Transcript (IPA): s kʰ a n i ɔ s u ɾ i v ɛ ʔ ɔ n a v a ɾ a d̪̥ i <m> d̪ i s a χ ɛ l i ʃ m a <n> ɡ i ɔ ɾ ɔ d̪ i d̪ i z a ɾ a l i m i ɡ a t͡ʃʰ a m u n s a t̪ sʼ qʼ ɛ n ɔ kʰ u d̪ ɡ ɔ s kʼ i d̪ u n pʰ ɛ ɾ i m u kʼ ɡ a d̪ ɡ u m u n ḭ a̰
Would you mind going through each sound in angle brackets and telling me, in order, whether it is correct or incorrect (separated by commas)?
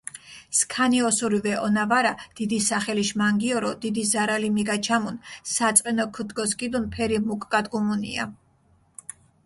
incorrect, incorrect